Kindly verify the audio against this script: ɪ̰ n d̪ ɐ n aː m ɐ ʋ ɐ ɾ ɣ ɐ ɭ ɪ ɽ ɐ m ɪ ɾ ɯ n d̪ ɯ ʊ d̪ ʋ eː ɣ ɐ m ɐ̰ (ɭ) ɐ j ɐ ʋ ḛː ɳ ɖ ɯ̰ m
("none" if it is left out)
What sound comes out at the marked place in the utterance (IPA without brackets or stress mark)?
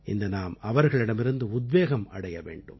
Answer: ɽ